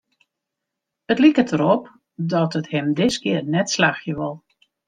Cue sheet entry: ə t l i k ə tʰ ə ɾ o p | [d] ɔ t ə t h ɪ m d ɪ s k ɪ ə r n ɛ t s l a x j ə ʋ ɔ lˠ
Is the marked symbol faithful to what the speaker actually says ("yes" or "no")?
yes